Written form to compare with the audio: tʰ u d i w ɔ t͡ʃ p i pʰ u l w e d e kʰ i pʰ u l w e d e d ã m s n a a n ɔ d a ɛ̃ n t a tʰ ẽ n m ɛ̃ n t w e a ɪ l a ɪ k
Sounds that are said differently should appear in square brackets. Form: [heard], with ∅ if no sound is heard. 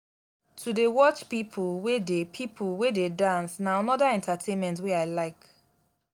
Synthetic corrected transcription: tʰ u d [e] w ɔ t͡ʃ p i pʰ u l w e d e [pʰ] i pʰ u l w e d e d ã [n] s n a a n ɔ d a ɛ̃ n t a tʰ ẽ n m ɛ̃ n t w e a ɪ l a ɪ k